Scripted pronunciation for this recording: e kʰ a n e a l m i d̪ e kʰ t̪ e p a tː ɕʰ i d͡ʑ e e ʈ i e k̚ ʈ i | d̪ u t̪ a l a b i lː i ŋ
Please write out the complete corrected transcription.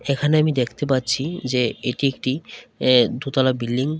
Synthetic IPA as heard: e kʰ a n e a m i d̪ e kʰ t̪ e p a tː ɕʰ i d͡ʑ e e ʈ i e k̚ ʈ i | d̪ u t̪ a l a b i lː i ŋ